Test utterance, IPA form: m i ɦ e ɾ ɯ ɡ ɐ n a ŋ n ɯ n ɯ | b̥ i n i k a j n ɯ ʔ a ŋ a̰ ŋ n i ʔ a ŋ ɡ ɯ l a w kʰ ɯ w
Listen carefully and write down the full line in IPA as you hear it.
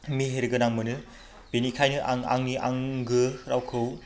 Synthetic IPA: m i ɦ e ɾ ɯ ɡ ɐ n a ŋ m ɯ n ɯ | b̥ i n i kʰ a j n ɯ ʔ a ŋ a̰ ŋ n i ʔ a ŋ ɡ ɯ ɾ a w kʰ ɯ w